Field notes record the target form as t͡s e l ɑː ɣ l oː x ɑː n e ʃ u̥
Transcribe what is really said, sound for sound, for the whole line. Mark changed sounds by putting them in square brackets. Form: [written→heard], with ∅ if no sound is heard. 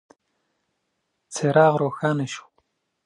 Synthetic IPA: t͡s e [l→ɾ] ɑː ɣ [l→ɾ] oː x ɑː n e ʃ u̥